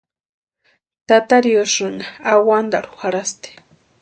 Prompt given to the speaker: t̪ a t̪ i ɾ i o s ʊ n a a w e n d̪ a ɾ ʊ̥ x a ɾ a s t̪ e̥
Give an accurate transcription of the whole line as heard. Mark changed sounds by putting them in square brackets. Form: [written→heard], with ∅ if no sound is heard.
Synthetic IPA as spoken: t̪ a t̪ [i→a] ɾ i o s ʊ n a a w [e→a] n d̪ a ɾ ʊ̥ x a ɾ a s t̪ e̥